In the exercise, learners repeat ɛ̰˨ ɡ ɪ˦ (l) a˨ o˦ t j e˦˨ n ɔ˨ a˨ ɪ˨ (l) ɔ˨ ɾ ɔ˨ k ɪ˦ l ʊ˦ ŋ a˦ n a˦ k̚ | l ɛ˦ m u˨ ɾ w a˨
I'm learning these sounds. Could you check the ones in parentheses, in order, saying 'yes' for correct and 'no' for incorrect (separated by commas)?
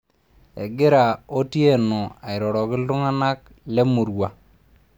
no, no